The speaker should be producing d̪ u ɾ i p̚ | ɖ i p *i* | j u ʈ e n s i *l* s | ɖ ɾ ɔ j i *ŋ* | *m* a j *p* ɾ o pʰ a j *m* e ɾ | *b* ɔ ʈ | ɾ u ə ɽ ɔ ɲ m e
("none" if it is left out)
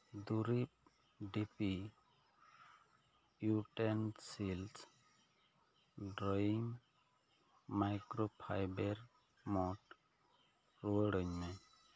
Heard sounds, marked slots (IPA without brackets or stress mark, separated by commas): i, l, ŋ, m, k, b, m